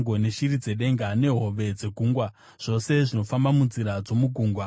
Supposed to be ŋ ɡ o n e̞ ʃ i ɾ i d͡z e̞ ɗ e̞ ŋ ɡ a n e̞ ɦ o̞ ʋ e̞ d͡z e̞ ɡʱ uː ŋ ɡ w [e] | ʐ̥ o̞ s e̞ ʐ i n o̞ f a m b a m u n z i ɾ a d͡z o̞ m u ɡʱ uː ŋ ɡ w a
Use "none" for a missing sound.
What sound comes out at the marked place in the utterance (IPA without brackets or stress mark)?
a